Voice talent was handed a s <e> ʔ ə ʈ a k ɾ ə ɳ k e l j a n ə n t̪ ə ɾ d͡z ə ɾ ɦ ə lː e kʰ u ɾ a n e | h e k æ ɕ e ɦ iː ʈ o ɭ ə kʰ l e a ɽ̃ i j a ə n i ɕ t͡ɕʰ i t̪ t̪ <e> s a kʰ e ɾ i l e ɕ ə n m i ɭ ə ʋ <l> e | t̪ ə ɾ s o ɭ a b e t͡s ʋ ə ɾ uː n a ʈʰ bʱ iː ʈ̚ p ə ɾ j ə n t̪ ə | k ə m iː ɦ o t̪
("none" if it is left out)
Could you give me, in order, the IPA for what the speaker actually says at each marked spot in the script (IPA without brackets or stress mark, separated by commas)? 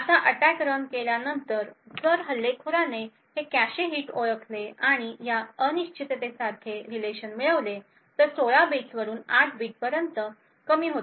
a, e, l